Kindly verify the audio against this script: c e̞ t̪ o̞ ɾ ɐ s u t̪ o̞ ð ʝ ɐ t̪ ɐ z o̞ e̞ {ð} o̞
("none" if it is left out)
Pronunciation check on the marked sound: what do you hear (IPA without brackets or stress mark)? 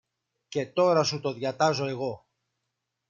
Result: ɣ